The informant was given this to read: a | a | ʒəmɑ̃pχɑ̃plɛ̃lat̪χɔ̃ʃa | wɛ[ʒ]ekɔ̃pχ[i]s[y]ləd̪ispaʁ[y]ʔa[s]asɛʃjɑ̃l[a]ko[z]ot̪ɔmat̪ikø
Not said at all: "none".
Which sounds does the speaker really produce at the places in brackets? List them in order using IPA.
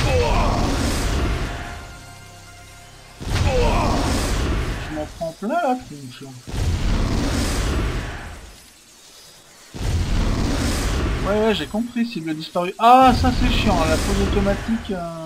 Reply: ʒ, i, i, y, s, a, z

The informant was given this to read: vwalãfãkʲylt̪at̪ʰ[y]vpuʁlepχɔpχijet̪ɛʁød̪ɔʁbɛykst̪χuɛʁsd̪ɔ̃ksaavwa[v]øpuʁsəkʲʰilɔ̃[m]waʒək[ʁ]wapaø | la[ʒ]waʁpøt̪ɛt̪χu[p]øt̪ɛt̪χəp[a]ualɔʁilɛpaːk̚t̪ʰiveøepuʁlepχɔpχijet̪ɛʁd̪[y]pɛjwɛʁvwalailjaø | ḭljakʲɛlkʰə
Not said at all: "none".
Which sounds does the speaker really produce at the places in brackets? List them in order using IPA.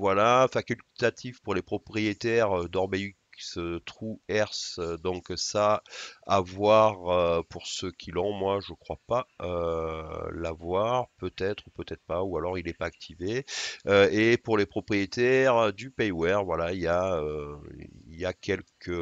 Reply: i, ʁ, m, χ, v, p, a, y

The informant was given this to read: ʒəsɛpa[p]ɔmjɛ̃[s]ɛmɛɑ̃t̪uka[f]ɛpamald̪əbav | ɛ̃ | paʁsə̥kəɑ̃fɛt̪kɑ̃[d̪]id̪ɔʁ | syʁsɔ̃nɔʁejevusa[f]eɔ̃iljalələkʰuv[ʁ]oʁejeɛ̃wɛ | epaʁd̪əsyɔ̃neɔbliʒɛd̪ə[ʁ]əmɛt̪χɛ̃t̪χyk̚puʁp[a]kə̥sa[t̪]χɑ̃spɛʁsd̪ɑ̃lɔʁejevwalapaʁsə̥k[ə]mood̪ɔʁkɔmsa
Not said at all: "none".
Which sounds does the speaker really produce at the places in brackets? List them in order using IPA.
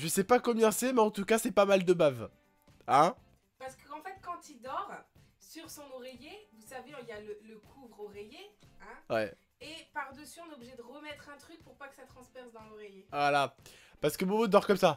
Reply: k, s, s, t̪, v, ʁ, ʁ, a, t̪, ə

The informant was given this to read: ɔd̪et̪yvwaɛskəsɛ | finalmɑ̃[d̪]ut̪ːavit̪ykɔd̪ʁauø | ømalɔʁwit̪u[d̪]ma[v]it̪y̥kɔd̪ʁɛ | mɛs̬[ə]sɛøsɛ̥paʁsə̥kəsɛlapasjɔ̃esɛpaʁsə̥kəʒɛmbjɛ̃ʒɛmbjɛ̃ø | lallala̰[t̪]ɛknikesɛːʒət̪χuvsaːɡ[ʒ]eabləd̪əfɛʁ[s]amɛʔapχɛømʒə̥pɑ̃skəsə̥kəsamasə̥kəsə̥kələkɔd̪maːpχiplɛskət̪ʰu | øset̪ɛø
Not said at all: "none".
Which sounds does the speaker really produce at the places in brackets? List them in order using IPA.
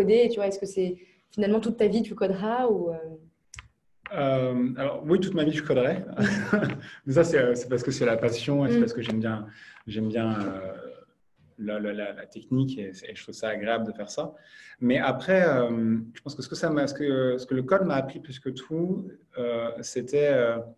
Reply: t̪, t̪, v, a, t̪, ʁ, s

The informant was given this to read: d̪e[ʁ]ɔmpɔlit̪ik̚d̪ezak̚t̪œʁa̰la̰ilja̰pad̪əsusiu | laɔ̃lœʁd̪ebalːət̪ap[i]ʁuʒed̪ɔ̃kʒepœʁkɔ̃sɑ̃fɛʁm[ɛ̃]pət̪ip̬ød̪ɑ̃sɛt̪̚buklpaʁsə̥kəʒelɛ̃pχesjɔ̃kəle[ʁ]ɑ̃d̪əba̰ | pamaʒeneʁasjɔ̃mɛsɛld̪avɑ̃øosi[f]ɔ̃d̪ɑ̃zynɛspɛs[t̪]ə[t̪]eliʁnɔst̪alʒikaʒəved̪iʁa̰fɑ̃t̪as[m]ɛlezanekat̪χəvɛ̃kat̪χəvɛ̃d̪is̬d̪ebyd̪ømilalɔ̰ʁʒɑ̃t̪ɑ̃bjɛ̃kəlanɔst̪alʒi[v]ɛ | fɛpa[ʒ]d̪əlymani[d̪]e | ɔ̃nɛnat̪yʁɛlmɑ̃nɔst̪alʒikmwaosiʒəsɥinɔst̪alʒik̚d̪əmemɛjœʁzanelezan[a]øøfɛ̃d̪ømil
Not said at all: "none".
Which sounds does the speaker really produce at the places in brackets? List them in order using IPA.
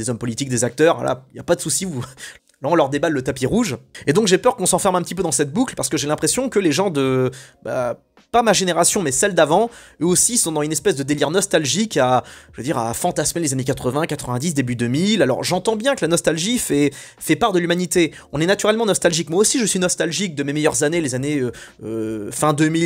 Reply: z, i, ɛ̃, ʒ, s, d̪, d̪, m, f, ʁ, t̪, e

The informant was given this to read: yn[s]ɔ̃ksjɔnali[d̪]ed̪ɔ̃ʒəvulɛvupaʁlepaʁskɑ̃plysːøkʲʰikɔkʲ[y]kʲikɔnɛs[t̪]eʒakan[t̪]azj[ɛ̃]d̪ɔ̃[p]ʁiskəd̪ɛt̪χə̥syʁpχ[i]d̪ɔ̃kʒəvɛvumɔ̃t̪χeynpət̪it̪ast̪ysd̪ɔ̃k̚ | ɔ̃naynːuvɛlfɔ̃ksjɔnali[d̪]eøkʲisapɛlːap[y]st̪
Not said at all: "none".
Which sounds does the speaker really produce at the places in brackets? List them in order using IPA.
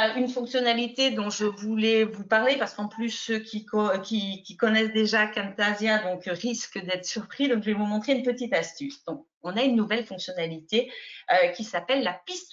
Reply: f, t̪, i, d̪, t̪, ɛ̃, k, i, t̪, i

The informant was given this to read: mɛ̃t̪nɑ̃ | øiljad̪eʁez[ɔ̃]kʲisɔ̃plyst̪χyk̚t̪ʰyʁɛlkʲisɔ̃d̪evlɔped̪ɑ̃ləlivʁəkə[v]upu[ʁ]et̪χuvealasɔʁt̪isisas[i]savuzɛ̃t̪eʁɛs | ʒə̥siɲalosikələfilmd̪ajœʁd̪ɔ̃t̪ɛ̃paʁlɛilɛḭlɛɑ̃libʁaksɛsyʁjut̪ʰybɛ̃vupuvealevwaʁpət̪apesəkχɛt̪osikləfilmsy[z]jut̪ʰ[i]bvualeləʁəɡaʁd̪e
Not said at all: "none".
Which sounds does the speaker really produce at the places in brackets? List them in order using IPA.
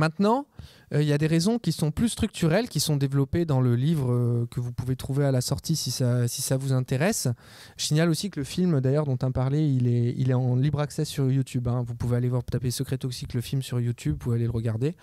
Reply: ɔ̃, v, v, i, ʁ, y

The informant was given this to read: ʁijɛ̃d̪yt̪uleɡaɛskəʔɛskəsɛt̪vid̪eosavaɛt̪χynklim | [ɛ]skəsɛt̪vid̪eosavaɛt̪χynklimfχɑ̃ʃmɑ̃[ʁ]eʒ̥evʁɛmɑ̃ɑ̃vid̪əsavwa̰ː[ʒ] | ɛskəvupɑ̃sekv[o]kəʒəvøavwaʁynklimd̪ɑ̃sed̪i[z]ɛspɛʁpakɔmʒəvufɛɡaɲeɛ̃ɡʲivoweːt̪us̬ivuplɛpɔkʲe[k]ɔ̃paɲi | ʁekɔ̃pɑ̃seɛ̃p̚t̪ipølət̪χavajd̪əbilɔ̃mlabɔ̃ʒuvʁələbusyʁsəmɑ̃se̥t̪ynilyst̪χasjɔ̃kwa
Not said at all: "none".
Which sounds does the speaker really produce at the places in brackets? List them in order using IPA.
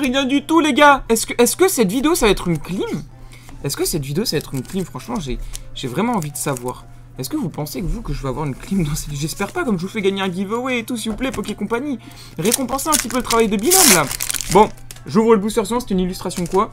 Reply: ɛ, ʒ, ʁ, u, ʒ, k

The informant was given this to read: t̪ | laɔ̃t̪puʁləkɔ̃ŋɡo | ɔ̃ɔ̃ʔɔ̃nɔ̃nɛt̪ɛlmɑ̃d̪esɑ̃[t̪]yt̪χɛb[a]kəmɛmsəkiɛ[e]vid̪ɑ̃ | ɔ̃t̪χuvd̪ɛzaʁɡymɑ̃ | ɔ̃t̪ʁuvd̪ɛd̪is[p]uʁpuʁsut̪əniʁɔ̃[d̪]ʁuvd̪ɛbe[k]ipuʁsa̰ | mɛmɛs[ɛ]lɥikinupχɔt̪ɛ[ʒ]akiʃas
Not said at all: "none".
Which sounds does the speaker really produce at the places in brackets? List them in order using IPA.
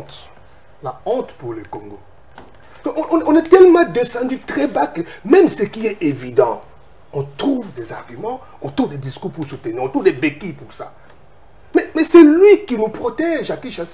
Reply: d̪, a, e, k, t̪, k, ɛ, ʒ

